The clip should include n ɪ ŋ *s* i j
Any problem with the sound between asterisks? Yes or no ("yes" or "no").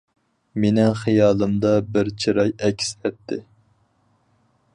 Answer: yes